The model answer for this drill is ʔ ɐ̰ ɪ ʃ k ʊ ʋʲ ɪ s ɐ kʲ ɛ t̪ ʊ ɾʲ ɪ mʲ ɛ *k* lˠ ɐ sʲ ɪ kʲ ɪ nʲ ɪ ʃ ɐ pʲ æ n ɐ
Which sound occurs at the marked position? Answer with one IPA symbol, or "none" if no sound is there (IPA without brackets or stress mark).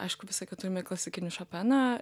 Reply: k